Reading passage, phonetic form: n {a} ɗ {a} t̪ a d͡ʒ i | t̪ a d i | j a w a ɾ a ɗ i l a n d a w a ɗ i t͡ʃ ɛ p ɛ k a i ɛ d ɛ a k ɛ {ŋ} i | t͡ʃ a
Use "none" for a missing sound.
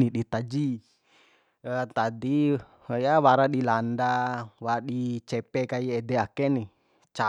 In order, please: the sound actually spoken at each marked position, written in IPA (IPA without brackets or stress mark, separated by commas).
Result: i, i, n